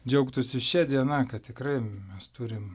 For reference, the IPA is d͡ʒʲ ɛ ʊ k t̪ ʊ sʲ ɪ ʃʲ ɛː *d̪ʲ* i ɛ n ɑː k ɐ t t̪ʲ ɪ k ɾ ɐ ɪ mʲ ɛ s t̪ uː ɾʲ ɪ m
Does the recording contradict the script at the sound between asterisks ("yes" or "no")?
no